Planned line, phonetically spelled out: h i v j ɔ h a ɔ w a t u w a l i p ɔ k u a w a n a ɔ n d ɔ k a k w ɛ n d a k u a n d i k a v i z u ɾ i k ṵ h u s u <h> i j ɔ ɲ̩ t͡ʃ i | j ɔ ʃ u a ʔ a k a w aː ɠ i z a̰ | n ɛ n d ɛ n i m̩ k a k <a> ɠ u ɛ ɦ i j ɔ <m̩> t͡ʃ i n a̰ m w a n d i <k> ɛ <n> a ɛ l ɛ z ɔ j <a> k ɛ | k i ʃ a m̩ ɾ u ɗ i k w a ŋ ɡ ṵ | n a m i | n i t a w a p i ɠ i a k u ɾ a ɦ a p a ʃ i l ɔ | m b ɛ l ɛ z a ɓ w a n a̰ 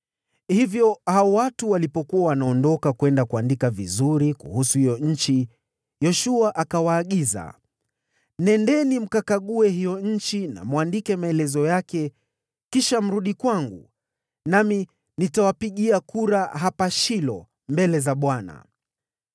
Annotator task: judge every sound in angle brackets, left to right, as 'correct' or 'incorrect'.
correct, correct, incorrect, correct, incorrect, correct

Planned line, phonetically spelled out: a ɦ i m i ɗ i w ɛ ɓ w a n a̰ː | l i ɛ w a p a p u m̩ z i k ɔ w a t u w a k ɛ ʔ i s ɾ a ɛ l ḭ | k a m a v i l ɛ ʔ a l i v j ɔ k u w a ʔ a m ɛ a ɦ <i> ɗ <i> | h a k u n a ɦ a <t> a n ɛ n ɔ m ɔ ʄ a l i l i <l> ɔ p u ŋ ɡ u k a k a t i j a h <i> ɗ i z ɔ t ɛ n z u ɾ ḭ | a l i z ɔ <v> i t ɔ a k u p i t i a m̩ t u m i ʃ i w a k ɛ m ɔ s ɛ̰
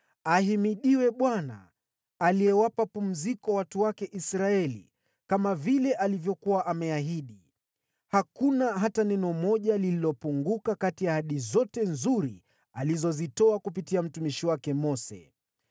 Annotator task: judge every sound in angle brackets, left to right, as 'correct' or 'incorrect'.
correct, correct, correct, correct, incorrect, incorrect

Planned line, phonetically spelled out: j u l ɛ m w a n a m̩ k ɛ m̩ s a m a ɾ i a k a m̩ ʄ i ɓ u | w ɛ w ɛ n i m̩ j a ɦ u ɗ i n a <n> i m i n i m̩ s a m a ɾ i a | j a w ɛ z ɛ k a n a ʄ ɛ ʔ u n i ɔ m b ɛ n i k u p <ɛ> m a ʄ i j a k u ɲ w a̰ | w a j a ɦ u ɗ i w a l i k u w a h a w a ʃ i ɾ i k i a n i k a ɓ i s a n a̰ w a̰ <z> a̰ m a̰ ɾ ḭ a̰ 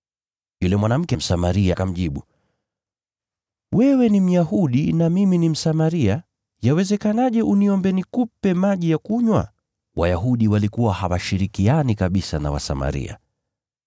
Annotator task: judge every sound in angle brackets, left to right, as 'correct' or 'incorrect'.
incorrect, correct, incorrect

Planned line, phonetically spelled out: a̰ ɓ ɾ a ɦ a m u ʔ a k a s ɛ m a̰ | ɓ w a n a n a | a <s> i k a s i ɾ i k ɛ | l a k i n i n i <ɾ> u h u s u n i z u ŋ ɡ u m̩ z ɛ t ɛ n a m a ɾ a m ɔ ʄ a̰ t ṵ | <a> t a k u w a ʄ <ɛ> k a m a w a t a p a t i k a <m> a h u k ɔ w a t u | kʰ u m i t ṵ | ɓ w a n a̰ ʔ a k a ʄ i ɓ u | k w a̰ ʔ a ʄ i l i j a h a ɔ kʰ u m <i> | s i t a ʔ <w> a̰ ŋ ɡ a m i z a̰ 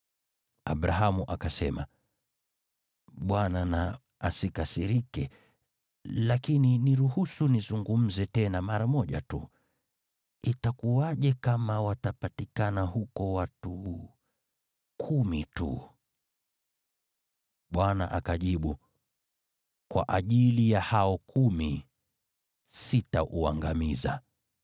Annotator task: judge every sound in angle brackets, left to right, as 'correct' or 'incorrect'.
correct, correct, incorrect, correct, incorrect, correct, incorrect

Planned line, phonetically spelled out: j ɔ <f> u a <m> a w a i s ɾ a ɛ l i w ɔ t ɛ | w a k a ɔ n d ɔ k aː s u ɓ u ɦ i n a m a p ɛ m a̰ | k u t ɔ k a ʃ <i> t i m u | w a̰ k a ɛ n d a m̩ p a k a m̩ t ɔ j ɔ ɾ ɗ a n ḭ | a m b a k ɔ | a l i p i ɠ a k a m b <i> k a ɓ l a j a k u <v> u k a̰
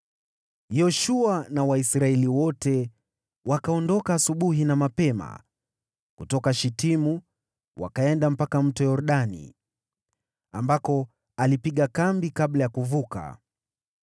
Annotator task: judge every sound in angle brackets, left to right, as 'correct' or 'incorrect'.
incorrect, incorrect, correct, correct, correct

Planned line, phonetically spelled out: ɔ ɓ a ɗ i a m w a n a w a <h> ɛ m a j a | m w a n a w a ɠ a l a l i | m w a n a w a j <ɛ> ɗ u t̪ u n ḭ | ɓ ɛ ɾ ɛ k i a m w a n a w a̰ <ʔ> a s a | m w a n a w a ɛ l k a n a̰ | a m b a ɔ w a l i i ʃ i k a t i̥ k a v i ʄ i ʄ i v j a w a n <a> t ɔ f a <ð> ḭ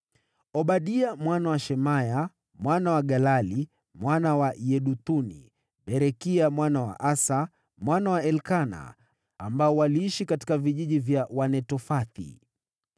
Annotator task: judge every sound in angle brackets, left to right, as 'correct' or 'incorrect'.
incorrect, correct, correct, incorrect, incorrect

